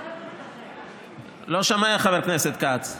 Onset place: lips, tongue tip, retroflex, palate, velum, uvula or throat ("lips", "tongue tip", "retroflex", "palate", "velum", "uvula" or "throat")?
tongue tip